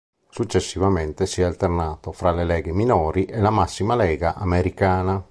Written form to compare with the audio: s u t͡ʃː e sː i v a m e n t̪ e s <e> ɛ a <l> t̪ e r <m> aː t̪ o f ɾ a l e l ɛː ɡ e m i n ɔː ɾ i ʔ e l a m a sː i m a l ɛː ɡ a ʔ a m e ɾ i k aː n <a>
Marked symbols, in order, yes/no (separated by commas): no, yes, no, yes